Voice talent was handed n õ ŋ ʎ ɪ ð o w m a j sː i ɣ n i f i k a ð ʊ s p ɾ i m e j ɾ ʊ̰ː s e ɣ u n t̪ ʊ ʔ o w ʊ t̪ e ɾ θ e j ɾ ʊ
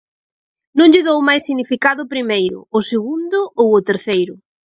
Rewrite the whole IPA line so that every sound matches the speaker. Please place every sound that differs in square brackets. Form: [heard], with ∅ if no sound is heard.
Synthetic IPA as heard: n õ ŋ ʎ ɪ ð o w m a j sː i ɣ n i f i k a ð ʊ [∅] p ɾ i m e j ɾ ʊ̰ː s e ɣ u n [d̪] ʊ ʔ o w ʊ t̪ e ɾ θ e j ɾ ʊ